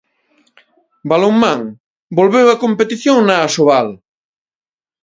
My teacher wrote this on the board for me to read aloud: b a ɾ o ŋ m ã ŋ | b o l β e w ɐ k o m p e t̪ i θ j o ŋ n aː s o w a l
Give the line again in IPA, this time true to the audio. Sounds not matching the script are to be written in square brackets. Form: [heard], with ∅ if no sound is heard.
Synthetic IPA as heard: b a [l] o ŋ m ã ŋ | b o l β e w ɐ k o m p e t̪ i θ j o ŋ n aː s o [β] a l